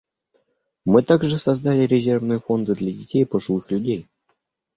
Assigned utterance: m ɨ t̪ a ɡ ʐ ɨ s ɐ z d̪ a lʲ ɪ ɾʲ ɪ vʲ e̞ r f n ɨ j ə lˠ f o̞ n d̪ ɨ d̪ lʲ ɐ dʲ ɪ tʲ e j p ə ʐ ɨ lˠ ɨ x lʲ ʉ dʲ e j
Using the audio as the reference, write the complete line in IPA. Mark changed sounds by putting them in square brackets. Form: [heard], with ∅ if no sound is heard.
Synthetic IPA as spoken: m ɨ t̪ a ɡ ʐ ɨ s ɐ z d̪ a lʲ ɪ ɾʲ ɪ [zʲ] e̞ r [v] n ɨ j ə [∅] f o̞ n d̪ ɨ d̪ lʲ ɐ dʲ ɪ tʲ e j p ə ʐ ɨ lˠ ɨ x lʲ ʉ dʲ e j